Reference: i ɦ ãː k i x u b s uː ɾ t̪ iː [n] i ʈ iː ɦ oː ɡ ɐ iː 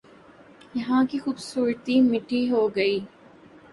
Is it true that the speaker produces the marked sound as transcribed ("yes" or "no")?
no